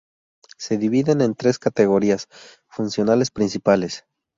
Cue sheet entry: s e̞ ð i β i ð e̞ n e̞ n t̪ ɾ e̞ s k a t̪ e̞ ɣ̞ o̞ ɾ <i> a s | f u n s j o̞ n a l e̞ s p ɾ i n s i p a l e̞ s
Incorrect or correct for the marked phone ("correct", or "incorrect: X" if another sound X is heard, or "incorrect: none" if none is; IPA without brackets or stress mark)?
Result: correct